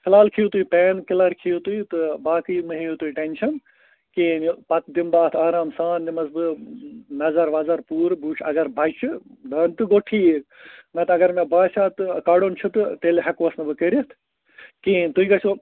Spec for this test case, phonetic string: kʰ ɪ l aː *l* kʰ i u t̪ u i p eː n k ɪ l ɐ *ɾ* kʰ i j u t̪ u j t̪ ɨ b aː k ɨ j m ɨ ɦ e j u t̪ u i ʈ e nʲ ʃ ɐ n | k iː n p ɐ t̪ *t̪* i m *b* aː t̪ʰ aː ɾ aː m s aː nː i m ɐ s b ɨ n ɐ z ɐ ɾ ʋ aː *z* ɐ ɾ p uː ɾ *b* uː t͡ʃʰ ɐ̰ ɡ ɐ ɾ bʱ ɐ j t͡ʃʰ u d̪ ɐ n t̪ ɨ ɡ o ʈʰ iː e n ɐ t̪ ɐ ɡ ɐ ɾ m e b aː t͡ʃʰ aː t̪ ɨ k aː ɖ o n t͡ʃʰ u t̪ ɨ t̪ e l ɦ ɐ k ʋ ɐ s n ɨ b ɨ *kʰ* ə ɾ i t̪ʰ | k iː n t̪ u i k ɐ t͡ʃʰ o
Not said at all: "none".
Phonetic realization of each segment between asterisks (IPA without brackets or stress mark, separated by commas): l, ɾ, d̪, b, z, b, k